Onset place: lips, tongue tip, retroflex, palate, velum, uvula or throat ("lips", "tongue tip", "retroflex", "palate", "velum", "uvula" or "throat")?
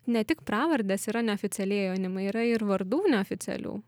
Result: tongue tip